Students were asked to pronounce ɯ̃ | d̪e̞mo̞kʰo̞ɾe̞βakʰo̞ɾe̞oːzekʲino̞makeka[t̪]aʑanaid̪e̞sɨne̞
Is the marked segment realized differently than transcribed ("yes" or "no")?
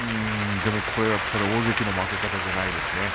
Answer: no